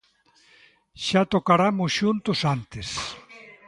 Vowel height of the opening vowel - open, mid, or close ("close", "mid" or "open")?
open